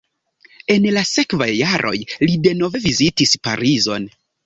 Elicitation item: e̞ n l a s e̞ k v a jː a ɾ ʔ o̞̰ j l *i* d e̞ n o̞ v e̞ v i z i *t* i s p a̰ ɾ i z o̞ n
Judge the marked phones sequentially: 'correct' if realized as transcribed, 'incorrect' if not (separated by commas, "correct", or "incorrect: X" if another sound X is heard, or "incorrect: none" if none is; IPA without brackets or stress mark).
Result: correct, correct